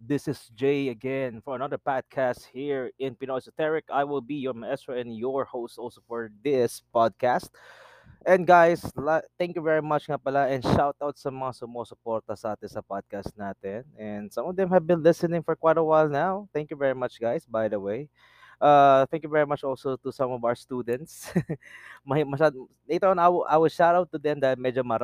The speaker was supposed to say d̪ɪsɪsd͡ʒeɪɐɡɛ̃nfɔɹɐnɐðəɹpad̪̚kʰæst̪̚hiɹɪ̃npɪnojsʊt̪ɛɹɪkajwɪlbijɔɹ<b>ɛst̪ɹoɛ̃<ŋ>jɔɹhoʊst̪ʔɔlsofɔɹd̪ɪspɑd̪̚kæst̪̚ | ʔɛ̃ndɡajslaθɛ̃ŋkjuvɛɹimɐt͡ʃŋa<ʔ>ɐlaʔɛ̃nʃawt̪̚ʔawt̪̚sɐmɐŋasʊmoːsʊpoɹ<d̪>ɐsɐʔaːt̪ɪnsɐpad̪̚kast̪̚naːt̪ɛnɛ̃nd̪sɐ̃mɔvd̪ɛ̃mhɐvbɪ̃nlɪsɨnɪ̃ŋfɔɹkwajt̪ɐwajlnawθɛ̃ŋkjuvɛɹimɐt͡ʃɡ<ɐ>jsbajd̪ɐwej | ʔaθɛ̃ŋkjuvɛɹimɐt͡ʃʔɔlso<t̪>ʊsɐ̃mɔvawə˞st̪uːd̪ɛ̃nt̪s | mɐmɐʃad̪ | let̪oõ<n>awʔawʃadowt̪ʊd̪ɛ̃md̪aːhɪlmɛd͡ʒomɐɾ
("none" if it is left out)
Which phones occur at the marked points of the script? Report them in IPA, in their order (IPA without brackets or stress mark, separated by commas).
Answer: m, n, p, t̪, a, t̪, n